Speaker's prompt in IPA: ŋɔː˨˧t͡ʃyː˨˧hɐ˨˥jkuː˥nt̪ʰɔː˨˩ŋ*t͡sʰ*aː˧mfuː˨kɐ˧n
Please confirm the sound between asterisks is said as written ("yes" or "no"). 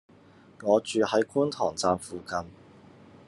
no